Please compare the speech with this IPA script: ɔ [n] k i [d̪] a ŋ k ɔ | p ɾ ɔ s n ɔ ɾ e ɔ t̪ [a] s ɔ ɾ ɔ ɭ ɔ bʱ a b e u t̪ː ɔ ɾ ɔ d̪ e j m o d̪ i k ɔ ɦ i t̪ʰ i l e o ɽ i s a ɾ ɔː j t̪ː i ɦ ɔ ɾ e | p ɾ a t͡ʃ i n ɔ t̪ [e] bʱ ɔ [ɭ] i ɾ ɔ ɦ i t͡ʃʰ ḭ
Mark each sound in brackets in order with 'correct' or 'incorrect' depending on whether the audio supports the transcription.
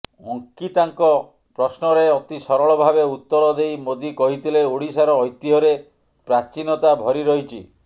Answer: incorrect: ŋ, incorrect: t̪, incorrect: i, incorrect: a, incorrect: ɾ

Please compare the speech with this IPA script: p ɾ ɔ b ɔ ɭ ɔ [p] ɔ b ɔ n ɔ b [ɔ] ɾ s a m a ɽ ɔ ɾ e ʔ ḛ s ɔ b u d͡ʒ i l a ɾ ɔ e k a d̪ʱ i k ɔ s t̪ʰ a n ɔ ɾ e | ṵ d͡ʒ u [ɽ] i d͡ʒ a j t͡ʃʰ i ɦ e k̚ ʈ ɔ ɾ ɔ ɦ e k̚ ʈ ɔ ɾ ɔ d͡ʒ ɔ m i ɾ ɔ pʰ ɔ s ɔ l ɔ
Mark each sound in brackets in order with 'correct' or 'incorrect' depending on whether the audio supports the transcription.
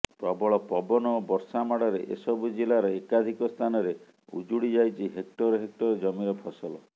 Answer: correct, correct, correct

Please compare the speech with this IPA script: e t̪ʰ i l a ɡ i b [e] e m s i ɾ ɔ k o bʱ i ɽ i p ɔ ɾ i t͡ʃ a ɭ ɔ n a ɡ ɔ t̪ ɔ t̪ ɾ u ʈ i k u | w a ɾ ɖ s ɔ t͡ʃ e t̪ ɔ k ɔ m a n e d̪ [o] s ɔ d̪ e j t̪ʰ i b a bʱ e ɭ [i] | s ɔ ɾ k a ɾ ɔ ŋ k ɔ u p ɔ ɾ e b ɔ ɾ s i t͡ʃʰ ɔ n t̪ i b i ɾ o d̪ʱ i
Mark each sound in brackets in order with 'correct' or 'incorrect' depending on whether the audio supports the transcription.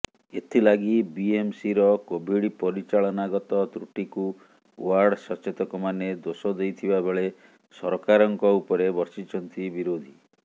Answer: incorrect: i, correct, incorrect: e

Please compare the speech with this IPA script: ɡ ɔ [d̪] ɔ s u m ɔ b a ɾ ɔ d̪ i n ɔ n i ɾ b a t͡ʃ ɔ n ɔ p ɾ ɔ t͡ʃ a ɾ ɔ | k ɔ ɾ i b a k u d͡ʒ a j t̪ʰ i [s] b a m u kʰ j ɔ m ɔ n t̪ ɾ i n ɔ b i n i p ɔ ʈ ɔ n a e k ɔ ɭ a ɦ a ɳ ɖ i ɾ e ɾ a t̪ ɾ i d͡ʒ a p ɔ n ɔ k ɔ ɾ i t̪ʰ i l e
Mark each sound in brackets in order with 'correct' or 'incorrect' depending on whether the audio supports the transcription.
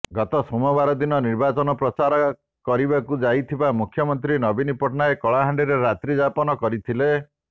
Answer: incorrect: t̪, incorrect: none

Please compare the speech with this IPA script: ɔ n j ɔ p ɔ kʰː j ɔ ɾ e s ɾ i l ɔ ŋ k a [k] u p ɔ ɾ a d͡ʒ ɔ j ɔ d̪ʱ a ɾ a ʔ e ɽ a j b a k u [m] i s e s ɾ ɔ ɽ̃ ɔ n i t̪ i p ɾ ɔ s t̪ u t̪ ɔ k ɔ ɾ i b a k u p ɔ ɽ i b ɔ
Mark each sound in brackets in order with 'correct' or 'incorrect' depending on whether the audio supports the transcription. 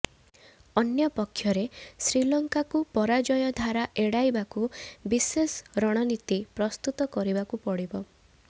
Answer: correct, incorrect: b

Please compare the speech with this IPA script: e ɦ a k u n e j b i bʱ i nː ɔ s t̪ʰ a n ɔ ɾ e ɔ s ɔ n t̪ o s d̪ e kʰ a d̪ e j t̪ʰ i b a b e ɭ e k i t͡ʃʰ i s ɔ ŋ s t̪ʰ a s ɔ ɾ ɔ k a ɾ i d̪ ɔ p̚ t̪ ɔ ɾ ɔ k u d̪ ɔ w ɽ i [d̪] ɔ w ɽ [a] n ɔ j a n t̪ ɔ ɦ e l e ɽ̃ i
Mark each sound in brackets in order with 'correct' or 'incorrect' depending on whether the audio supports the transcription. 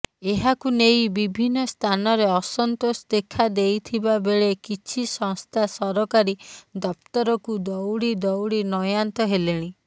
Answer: correct, incorrect: i

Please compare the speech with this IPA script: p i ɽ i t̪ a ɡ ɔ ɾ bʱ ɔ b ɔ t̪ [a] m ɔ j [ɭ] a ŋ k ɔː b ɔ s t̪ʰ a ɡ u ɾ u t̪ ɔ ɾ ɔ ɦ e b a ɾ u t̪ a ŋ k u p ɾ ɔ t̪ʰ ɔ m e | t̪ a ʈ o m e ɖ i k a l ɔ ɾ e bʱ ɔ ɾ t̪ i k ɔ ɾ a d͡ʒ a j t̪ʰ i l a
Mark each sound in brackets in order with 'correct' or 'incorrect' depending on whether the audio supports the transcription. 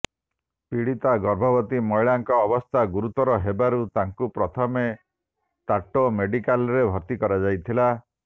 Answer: incorrect: i, correct

